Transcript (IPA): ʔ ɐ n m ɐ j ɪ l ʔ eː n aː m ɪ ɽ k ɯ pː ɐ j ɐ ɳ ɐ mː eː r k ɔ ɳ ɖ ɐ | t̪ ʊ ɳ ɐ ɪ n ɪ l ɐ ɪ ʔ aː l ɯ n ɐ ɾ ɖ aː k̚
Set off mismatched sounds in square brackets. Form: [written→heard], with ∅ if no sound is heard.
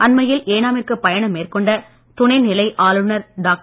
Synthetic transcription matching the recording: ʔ ɐ n m ɐ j ɪ l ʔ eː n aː m ɪ [ɽ→r] k ɯ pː ɐ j ɐ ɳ ɐ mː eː r k ɔ ɳ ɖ ɐ | t̪ ʊ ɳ ɐ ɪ n ɪ l ɐ ɪ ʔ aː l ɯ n ɐ ɾ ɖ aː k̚